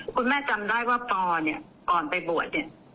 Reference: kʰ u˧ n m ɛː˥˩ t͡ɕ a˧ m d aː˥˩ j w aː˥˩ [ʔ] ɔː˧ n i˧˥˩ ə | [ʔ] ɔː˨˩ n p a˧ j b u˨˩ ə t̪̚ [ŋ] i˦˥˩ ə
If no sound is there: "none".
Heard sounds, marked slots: p, k, n

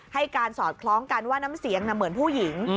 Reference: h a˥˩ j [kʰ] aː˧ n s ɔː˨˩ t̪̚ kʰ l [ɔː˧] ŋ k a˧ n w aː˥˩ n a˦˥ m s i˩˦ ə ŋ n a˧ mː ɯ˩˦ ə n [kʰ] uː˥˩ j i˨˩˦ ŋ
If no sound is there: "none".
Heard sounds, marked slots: k, ɔː˦˥, pʰ

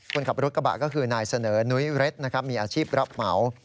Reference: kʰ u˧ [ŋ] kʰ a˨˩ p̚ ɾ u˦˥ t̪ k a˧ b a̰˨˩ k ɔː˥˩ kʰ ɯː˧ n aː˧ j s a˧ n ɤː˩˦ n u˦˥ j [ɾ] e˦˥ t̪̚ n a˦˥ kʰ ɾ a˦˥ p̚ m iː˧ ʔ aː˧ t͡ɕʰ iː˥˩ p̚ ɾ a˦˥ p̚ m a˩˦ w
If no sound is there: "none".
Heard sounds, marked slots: n, ɾ

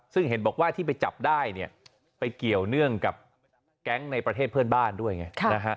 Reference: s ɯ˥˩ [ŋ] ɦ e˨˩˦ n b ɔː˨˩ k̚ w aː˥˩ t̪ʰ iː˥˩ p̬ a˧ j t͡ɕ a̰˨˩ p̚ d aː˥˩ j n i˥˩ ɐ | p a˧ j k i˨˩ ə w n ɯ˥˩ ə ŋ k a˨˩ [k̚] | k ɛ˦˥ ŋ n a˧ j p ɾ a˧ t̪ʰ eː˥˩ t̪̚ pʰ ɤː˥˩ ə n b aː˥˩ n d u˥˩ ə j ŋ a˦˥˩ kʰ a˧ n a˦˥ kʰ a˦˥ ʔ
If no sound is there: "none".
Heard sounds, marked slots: ŋ, p̚

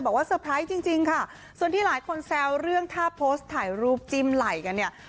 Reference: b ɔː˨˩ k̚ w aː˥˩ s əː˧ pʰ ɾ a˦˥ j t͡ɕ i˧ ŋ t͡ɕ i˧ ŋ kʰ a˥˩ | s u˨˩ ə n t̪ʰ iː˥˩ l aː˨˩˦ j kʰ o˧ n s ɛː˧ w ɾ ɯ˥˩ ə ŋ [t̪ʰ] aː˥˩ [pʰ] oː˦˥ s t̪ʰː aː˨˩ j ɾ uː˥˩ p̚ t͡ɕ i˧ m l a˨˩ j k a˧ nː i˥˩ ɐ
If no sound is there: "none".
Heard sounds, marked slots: t̪ʰ, pʰ

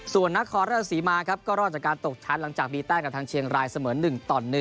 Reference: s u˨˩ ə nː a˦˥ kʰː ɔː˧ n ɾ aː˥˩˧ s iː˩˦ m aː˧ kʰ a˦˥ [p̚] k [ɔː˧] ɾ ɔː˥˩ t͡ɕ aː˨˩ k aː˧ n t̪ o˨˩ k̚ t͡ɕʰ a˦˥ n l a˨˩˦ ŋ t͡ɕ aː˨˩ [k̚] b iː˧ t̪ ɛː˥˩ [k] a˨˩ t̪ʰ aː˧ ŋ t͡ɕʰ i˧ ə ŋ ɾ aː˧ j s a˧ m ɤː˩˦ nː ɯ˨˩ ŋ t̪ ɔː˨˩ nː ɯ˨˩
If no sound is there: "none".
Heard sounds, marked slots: p̚, ɔː˥˩, k̚, k

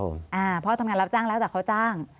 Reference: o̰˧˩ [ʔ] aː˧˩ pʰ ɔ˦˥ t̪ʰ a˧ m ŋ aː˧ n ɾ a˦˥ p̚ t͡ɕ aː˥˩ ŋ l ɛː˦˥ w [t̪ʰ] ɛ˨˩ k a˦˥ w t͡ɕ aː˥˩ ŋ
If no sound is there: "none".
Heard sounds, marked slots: ʔ, t̪

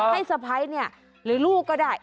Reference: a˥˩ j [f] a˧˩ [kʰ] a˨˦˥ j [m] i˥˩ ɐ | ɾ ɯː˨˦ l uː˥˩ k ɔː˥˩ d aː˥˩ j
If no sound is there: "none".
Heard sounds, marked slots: s, pʰ, n

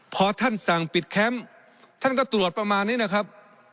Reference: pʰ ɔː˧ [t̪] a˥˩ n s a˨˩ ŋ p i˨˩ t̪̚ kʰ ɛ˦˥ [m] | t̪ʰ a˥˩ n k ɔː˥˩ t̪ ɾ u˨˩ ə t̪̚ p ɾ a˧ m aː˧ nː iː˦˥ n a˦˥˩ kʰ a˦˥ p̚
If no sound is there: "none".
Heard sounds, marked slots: t̪ʰ, m

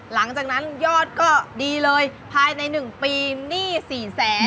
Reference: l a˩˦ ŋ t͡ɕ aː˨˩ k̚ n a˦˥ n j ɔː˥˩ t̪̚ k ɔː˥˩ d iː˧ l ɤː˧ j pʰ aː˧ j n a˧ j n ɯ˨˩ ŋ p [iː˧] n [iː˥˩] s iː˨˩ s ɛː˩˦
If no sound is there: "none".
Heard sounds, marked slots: iː˧, iː˥˩

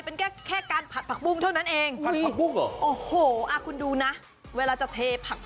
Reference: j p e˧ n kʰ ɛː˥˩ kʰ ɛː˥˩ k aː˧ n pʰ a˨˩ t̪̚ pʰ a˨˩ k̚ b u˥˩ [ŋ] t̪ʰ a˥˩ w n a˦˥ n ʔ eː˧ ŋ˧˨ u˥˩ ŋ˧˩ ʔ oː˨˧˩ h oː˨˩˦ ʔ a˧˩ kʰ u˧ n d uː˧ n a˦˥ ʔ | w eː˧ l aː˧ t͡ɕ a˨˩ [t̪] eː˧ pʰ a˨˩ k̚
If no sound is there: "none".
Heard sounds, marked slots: ŋ, t̪ʰ

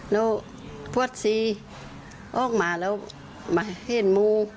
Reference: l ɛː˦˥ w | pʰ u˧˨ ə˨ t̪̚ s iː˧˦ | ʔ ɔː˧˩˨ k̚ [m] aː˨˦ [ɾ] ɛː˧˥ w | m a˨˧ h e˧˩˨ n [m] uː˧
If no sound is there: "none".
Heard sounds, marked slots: m, l, m

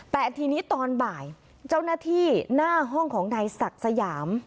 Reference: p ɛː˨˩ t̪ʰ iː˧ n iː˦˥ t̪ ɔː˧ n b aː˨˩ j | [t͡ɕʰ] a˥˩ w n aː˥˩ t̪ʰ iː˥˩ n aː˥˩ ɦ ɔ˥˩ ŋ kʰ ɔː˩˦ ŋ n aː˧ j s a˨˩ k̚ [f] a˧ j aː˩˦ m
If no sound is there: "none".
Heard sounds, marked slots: t͡ɕ, s

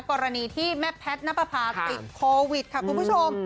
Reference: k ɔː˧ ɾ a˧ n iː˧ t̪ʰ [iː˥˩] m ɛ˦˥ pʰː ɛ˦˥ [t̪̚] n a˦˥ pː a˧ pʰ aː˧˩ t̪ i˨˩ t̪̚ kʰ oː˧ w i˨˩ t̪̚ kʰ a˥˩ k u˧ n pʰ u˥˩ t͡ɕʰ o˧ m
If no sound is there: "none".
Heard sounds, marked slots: iː˥˩, t̪̚

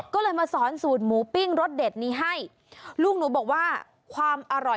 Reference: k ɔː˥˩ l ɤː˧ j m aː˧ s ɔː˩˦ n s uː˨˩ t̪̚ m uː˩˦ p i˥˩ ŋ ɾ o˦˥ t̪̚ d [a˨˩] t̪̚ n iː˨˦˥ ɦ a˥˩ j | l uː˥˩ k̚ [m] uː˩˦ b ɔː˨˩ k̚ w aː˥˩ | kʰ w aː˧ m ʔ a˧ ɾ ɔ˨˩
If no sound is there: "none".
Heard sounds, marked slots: e˨˩, n

